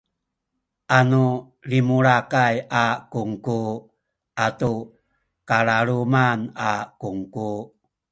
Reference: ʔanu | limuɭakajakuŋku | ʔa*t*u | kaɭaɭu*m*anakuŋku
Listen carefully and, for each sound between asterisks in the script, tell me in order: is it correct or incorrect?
correct, correct

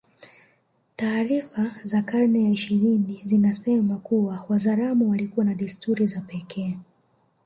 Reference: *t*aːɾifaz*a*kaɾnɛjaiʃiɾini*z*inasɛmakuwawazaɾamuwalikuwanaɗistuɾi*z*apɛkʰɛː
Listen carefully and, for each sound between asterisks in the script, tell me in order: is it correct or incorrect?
correct, correct, correct, correct

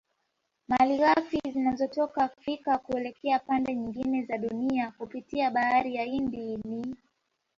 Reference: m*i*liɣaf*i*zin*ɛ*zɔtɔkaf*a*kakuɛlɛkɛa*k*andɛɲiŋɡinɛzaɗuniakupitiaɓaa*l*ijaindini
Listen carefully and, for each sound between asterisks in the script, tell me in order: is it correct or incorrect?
incorrect: a, correct, incorrect: a, incorrect: i, incorrect: p, incorrect: ɾ

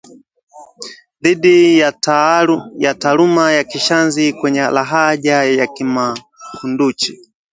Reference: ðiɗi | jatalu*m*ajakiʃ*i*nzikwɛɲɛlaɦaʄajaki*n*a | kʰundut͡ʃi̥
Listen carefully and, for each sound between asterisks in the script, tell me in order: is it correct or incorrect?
correct, incorrect: a, incorrect: m

